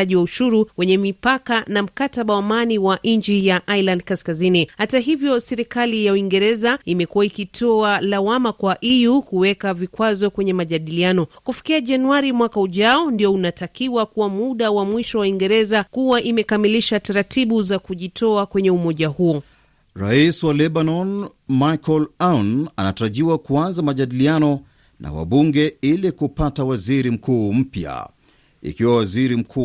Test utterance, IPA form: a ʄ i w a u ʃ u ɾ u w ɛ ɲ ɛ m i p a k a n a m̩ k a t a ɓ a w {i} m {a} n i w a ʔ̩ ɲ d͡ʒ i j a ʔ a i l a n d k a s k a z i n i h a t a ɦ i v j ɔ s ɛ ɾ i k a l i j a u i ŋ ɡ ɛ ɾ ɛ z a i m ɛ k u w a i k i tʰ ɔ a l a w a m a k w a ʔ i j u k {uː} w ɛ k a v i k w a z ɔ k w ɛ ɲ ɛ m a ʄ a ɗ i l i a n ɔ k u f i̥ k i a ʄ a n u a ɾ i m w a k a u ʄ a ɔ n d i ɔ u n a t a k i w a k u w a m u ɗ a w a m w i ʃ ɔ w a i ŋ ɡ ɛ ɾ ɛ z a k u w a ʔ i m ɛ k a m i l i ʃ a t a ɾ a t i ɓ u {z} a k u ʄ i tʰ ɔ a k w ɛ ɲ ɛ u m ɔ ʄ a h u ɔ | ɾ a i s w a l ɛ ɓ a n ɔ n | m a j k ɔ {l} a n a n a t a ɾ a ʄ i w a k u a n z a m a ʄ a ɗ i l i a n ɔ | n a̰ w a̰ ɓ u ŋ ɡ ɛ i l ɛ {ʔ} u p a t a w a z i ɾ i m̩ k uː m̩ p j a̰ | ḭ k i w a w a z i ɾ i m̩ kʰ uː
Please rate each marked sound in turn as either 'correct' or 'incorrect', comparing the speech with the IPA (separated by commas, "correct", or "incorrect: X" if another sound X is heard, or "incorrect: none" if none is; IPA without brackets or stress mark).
incorrect: a, correct, incorrect: u, correct, correct, incorrect: k